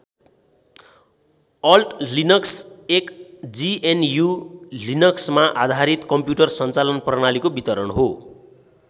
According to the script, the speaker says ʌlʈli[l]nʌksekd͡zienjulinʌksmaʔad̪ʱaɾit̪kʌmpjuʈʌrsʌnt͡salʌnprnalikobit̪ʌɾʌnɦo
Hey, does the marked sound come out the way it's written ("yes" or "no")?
no